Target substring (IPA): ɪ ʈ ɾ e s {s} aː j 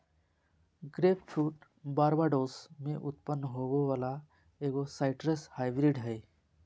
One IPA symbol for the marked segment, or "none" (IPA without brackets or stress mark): h